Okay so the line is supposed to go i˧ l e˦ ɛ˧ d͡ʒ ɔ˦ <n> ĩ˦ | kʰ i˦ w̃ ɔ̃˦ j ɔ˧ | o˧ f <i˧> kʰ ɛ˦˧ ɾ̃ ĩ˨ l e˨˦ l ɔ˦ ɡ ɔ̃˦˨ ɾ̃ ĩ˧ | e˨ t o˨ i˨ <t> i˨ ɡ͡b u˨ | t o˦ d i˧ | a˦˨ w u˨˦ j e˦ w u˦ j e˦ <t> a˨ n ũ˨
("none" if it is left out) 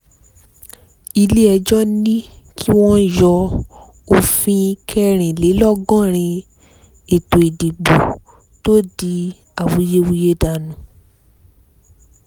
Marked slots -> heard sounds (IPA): n, ĩ˧, d, d

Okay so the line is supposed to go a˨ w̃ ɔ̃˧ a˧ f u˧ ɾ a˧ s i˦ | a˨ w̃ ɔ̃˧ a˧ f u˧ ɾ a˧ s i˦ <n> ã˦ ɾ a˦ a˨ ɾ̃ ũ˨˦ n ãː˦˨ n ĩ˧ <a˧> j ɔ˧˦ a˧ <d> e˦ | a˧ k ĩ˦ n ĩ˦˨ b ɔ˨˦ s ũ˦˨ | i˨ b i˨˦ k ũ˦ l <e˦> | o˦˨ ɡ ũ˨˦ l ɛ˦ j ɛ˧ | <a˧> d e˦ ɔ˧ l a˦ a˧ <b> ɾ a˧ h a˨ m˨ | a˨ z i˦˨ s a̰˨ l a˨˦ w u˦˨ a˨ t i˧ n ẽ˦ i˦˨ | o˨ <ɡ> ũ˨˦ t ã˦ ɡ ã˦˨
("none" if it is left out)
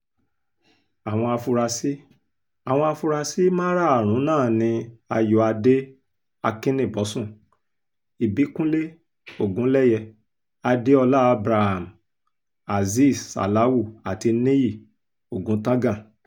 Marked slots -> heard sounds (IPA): m, a˧, d, e˦, a˧, b, ɡ

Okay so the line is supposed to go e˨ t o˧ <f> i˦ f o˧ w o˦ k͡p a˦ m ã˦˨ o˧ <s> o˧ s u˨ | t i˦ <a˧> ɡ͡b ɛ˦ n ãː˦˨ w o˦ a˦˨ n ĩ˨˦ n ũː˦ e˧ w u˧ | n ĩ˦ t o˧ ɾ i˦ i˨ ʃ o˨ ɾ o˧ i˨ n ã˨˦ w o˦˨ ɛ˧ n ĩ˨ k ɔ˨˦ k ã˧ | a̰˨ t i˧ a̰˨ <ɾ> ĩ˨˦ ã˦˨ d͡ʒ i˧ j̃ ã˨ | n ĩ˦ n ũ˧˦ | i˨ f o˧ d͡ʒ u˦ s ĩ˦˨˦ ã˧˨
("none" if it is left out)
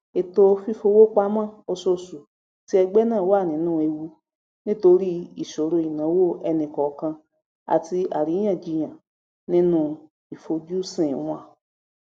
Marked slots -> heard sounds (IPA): f, s, ɛ˧, ɾ

